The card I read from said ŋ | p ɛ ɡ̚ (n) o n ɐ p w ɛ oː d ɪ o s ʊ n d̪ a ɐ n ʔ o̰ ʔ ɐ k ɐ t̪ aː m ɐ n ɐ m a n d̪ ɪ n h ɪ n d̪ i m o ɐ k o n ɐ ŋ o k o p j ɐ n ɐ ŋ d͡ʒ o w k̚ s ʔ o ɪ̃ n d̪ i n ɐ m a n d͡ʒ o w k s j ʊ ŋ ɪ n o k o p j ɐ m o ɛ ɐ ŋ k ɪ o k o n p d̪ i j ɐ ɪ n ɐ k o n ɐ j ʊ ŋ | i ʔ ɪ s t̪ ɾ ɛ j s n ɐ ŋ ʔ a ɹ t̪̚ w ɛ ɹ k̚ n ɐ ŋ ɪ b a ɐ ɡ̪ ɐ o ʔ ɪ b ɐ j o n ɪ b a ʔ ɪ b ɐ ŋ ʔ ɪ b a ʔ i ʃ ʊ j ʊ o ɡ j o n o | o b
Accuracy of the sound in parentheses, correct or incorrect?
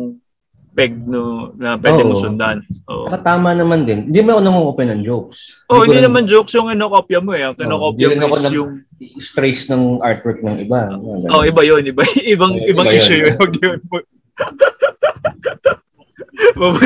correct